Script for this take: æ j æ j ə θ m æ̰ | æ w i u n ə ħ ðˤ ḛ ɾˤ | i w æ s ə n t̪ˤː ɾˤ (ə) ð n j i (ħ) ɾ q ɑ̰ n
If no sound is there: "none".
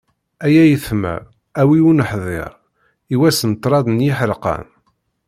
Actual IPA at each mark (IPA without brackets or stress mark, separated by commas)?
ɑ, ħ